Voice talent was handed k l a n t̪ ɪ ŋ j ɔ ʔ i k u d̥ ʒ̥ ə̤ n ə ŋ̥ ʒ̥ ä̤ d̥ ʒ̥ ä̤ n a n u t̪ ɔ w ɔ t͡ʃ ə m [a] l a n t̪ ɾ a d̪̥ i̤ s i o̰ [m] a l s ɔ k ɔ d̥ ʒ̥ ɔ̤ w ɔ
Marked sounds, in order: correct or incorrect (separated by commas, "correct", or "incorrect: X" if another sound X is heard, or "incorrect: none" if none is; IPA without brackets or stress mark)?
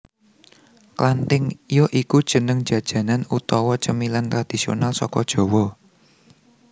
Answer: incorrect: i, incorrect: n